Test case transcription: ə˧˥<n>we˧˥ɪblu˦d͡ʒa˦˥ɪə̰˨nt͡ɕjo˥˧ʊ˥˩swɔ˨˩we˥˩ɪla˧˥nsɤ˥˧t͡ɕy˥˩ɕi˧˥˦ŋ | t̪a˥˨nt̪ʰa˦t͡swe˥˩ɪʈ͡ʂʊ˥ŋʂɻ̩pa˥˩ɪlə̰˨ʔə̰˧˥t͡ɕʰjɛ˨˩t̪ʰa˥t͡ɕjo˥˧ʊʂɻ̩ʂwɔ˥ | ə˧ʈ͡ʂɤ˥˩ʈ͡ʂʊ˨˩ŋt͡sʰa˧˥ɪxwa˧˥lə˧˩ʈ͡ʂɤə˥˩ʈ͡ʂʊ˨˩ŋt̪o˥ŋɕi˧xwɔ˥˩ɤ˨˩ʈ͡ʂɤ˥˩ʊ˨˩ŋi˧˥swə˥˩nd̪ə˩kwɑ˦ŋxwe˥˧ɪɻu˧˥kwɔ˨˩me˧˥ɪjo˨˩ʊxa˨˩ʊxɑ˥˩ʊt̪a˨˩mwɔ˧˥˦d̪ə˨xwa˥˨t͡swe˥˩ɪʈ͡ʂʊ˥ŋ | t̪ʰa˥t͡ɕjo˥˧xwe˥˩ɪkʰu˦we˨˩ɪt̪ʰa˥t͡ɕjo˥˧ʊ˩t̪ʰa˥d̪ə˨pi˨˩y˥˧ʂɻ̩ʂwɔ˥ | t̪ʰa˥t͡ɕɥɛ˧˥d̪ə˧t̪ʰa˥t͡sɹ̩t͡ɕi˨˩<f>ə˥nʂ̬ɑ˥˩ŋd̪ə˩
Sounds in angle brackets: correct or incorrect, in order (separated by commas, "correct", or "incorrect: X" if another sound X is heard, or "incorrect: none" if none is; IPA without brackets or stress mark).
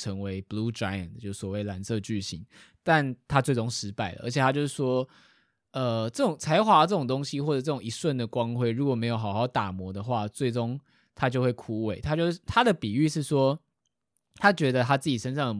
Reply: incorrect: ŋ, incorrect: ʂ